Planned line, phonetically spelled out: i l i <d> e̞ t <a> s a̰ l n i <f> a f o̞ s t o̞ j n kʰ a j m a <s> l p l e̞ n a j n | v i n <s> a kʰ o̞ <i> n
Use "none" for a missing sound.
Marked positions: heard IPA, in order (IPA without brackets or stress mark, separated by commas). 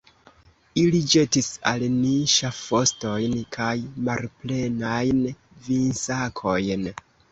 d͡ʒ, i, ʃ, none, s, j